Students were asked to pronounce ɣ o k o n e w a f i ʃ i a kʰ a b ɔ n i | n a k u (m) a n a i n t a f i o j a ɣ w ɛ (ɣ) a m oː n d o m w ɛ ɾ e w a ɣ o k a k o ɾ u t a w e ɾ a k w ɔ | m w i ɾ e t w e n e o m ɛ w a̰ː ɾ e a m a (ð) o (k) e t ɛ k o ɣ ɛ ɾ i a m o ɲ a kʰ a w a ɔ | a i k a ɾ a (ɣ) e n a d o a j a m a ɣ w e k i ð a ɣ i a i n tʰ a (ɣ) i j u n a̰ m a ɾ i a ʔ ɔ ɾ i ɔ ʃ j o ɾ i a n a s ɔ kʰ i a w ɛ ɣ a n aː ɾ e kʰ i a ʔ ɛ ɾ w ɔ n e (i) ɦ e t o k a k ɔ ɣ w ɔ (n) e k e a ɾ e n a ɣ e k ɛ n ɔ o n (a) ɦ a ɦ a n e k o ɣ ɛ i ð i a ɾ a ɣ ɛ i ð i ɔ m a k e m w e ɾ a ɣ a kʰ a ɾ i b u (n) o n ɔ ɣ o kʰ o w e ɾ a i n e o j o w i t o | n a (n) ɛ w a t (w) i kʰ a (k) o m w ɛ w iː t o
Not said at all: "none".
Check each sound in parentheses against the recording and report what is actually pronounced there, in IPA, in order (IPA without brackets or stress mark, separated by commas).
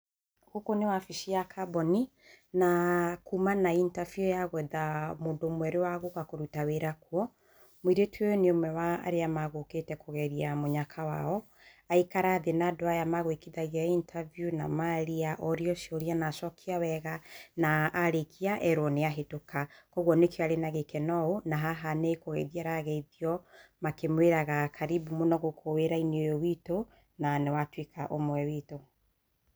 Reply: m, ð, ɣ, k, ð, v, a, n, a, m, n, w, ʔ